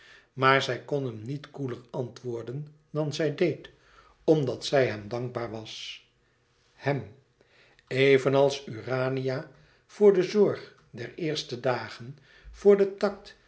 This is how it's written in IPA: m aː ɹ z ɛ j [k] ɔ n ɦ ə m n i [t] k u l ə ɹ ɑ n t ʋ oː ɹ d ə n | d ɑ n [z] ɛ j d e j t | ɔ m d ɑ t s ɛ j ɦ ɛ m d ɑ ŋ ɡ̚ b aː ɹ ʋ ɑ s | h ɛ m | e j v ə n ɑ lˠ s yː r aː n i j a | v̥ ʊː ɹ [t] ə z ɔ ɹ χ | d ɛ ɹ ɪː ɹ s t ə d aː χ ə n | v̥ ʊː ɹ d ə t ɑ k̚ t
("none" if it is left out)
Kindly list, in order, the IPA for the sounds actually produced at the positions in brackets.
k, t, z, d

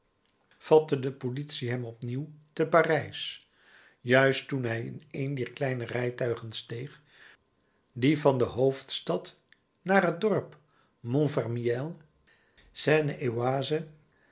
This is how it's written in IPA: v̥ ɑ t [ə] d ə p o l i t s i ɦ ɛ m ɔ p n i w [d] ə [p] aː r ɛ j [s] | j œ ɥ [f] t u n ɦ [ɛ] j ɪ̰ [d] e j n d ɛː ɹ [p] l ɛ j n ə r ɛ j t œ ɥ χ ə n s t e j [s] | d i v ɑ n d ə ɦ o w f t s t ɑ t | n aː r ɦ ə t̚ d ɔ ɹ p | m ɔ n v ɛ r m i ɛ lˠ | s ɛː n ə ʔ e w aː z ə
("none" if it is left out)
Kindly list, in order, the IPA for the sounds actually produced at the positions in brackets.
ə, t, p, s, s, ɛ, n, k, χ

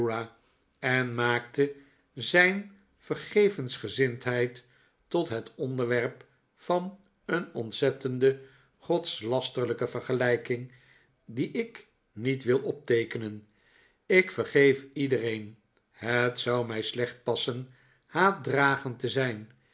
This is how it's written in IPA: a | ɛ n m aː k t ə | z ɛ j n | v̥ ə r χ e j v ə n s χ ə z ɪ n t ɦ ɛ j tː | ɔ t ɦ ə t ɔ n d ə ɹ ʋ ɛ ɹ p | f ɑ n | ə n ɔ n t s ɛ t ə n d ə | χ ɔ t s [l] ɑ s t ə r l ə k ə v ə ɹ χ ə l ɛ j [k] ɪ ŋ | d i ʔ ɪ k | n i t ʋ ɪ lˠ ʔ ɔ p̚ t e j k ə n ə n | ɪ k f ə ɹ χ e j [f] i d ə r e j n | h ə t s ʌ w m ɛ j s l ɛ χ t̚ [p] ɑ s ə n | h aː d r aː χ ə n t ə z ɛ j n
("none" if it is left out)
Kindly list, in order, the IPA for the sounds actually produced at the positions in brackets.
l, k, f, p

